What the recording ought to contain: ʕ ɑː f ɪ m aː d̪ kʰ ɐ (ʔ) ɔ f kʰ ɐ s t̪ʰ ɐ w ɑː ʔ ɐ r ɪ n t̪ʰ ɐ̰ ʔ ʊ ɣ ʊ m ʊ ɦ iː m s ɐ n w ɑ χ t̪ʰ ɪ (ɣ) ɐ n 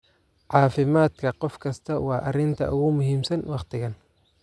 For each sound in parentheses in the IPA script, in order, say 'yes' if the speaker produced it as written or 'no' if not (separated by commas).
no, yes